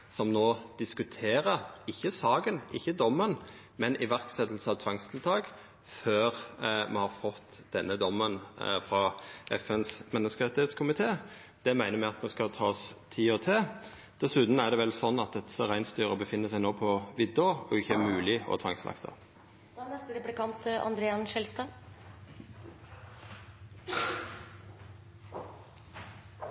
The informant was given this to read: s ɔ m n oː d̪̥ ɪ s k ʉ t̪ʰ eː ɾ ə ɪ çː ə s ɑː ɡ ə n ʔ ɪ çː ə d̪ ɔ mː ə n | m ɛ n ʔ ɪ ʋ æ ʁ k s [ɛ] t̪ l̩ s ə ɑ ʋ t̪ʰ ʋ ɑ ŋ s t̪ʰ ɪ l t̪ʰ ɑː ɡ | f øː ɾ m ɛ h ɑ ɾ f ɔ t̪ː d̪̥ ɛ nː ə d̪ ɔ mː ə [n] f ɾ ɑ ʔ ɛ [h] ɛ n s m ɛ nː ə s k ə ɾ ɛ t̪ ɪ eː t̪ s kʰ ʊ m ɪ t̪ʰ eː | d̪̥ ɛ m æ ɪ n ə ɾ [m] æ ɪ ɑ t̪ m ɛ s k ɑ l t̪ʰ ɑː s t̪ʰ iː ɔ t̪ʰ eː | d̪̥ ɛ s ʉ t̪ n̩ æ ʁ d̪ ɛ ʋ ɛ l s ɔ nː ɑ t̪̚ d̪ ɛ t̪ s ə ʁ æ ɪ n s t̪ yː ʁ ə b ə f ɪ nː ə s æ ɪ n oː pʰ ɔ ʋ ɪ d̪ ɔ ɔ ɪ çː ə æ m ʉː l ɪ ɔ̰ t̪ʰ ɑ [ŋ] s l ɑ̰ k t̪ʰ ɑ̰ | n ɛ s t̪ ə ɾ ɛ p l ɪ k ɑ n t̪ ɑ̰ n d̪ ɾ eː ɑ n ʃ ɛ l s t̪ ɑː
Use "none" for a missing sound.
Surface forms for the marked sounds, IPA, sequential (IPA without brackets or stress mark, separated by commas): ɛ, n, f, m, ŋ